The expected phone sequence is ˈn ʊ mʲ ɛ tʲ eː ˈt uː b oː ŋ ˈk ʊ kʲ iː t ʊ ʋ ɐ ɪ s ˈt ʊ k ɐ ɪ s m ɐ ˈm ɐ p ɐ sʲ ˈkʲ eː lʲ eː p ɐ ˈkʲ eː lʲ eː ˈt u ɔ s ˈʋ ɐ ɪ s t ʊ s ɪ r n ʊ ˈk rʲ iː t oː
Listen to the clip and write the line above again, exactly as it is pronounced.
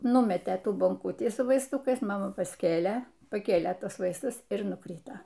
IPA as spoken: ˈn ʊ mʲ ɛ tʲ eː ˈt uː b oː ŋ ˈk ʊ tʲ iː s ʊ ʋ ɐ ɪ s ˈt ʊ k ɐ ɪ s m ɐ ˈm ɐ p ɐ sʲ ˈkʲ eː lʲ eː p ɐ ˈkʲ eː lʲ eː ˈt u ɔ s ˈʋ ɐ ɪ s t ʊ s ɪ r n ʊ ˈk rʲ iː t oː